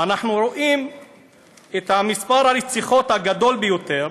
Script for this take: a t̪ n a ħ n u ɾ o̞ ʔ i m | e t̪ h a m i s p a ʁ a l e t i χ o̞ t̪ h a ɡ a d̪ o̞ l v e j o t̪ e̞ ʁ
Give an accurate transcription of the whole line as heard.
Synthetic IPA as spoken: a n a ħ n u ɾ o̞ ʔ i m | e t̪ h a m i s p a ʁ a l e t͡s i χ o̞ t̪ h a ɡ a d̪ o̞ l b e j o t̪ e̞ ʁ